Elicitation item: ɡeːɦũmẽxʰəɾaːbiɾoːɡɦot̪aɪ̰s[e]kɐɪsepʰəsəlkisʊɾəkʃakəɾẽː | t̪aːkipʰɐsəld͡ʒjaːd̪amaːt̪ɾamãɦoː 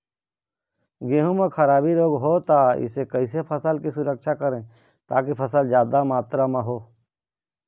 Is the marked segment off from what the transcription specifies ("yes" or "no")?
no